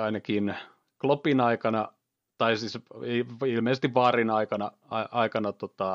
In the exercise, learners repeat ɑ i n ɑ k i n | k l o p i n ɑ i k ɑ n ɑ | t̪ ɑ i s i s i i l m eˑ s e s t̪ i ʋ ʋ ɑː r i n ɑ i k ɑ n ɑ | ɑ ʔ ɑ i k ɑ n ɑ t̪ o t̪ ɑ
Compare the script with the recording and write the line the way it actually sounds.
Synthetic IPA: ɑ i n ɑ k i n | k l o p i n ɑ i k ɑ n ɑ | t̪ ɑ i s i s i i l m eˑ s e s t̪ i ʋ ʋ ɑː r i n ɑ i k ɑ n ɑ | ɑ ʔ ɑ i k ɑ n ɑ t̪ o t̪ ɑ